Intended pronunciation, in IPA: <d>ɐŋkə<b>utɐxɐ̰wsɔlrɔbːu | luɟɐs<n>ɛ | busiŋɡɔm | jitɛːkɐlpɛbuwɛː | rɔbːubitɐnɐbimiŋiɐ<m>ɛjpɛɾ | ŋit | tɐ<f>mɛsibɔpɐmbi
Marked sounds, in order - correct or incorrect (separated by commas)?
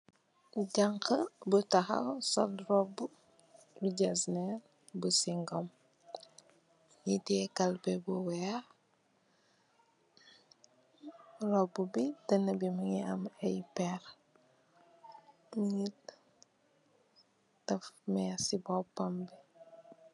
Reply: incorrect, correct, correct, correct, correct